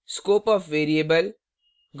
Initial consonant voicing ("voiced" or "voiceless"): voiceless